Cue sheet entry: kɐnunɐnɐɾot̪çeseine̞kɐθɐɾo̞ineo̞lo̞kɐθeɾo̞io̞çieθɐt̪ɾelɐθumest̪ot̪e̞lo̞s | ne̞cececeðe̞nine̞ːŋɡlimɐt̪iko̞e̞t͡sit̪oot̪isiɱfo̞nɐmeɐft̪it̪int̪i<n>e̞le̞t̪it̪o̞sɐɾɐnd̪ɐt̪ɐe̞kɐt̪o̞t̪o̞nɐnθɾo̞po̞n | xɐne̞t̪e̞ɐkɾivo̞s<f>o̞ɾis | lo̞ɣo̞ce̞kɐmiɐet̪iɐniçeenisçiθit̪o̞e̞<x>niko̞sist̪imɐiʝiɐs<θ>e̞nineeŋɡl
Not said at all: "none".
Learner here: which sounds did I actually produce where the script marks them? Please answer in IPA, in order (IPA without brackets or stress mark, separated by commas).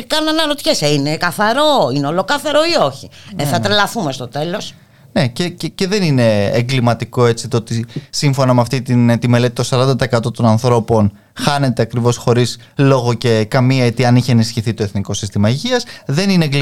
m, x, θ, ð